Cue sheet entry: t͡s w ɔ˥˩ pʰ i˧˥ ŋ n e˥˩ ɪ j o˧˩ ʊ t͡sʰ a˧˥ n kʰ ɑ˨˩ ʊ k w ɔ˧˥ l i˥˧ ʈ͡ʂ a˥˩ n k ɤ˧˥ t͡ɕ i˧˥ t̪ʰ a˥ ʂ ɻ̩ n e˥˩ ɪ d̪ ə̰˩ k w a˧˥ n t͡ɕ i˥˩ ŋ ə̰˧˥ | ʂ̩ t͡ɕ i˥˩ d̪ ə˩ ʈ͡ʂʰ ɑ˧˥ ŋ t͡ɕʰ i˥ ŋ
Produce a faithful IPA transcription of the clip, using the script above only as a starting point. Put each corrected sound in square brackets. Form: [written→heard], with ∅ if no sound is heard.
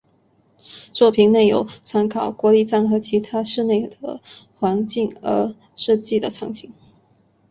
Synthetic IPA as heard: t͡s w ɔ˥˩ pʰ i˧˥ ŋ n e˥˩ ɪ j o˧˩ ʊ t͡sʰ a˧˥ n kʰ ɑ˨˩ ʊ k w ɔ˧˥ l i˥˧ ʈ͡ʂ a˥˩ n [k→x] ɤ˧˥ [t͡ɕ→t͡ɕʰ] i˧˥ t̪ʰ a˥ ʂ ɻ̩ n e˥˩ ɪ d̪ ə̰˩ [k→x] w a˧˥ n t͡ɕ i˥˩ ŋ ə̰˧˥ | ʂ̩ t͡ɕ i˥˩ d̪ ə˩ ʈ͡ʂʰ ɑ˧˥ ŋ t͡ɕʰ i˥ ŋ